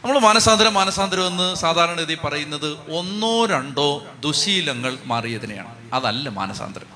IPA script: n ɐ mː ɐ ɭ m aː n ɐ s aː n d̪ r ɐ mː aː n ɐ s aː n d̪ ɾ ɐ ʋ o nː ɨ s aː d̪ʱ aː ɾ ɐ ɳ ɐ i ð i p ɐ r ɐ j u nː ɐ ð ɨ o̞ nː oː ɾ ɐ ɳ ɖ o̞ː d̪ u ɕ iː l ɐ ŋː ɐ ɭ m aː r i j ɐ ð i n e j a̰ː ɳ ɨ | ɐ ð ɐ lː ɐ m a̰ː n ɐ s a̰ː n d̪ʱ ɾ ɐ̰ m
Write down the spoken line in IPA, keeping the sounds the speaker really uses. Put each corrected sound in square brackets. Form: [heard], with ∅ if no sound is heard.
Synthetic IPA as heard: n ɐ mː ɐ ɭ m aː n ɐ s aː n d̪ [ɾ] ɐ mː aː n ɐ s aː n d̪ ɾ ɐ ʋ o nː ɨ s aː d̪ʱ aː ɾ ɐ ɳ ɐ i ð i p ɐ r ɐ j u nː ɐ ð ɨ o̞ nː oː ɾ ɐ ɳ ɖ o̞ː d̪ u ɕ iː l ɐ ŋː ɐ ɭ m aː r i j ɐ ð i n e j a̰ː ɳ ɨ | ɐ ð ɐ lː ɐ m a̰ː n ɐ s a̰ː n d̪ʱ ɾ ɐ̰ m